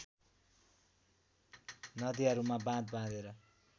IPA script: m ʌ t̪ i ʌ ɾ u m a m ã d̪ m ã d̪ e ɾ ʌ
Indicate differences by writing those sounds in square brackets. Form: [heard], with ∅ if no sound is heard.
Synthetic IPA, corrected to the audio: [n] ʌ [d̪] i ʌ ɾ u m a [b] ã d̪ [b] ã d̪ e ɾ ʌ

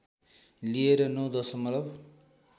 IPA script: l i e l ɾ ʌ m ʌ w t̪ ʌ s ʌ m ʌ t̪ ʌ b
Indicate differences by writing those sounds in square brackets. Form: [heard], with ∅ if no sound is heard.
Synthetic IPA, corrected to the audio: l i e [∅] ɾ ʌ [n] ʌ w [d̪] ʌ s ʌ m ʌ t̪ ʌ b

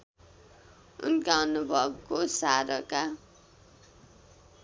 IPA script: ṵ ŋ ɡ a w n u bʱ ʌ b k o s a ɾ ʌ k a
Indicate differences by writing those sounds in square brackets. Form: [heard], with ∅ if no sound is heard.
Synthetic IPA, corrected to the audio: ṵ [n] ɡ a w n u bʱ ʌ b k o s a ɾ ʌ k a

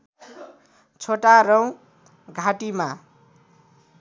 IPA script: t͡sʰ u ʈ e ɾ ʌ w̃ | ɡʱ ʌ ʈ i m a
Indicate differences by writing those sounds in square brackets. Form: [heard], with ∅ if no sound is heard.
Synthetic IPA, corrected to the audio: t͡sʰ [o] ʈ [a] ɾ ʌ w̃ | ɡʱ [a] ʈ i m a

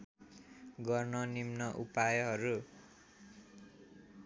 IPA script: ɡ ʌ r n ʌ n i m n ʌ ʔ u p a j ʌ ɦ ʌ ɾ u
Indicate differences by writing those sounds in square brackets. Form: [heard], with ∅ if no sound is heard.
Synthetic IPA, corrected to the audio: ɡ ʌ r n ʌ n i m n ʌ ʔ u p a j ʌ ɦ ʌ ɾ u

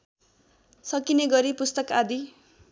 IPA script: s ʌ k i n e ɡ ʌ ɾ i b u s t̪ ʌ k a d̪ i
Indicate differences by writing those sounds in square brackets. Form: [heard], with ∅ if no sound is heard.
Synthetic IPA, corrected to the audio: s ʌ k i n e ɡ ʌ ɾ i [p] u s t̪ ʌ k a d̪ i

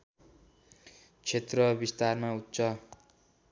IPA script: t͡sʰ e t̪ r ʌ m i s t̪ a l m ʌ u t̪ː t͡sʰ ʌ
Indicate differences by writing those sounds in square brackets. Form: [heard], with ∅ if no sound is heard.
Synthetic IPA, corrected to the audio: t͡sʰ e t̪ r ʌ [b] i s t̪ a [r] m [a] u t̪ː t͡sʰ ʌ

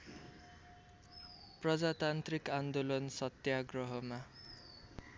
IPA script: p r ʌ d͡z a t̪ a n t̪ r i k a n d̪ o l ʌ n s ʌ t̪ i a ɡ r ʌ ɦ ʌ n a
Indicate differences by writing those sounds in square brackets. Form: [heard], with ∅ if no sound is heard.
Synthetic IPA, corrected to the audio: p r ʌ d͡z a t̪ a n t̪ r i k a n d̪ o l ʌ n s ʌ t̪ [j] a ɡ r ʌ ɦ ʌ [m] a

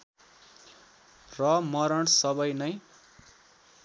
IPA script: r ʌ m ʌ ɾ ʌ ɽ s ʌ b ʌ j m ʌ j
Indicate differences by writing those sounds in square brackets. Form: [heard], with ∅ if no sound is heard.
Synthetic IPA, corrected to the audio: r ʌ m ʌ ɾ ʌ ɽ s ʌ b ʌ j [n] ʌ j

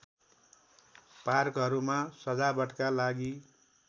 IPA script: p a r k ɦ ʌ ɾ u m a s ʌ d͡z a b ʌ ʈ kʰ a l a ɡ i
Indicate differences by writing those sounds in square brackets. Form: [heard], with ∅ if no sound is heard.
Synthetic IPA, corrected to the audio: p a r k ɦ ʌ ɾ u m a s ʌ d͡z a b ʌ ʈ [k] a l a ɡ i

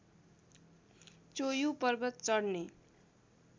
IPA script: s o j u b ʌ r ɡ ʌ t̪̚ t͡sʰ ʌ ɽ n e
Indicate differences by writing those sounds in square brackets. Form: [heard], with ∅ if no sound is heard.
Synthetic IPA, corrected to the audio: [t͡s] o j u [p] ʌ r [b] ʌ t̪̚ [t͡s] ʌ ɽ n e

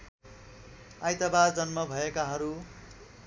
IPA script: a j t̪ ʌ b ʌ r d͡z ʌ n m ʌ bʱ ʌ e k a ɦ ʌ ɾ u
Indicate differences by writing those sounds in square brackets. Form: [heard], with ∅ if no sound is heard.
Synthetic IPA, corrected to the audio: a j t̪ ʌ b [a] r d͡z ʌ n m ʌ bʱ ʌ e k a ɦ ʌ ɾ u

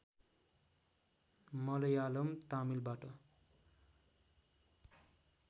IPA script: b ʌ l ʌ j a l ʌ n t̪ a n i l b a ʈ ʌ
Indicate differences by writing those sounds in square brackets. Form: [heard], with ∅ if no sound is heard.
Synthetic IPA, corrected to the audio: [m] ʌ l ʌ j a l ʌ [m] t̪ a [m] i l b a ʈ ʌ

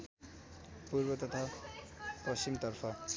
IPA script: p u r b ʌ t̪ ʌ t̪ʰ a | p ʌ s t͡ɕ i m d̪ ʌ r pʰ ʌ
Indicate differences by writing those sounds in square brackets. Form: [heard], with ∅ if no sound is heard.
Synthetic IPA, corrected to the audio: p u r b ʌ t̪ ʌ t̪ʰ a | p ʌ s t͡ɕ i m [t̪] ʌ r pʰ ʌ

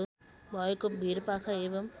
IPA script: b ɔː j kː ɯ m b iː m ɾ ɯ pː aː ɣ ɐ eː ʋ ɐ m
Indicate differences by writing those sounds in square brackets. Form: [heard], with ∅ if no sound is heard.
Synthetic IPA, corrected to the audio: b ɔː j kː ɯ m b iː [∅] ɾ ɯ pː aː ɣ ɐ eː ʋ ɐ m

